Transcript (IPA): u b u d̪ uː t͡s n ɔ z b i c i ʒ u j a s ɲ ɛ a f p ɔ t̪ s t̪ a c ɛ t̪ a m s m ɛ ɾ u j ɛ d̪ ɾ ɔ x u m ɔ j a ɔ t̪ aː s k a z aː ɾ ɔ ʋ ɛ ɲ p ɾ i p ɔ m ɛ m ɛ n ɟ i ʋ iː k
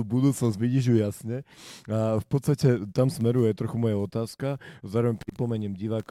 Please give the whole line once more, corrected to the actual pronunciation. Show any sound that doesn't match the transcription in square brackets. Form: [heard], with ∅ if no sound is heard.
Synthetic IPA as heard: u b u d̪ uː t͡s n ɔ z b i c i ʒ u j a s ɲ ɛ a f p ɔ t̪ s t̪ a c ɛ t̪ a m s m ɛ ɾ u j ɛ [t̪] ɾ ɔ x u m ɔ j a ɔ t̪ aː s k a z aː ɾ ɔ ʋ ɛ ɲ p ɾ i p ɔ m ɛ [ɲ] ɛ [m] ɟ i ʋ [aː] k